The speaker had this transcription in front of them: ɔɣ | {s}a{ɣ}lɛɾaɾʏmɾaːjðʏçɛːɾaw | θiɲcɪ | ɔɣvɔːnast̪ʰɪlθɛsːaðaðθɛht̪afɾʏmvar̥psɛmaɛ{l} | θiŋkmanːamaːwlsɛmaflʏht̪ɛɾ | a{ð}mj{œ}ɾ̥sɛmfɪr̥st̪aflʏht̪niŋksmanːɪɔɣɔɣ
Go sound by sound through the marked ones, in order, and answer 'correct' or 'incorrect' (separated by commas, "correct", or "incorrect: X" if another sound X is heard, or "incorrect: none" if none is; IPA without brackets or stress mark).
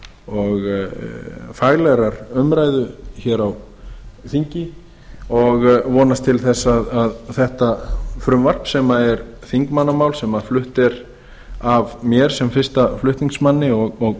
incorrect: f, correct, incorrect: ɾ, incorrect: v, incorrect: ɛ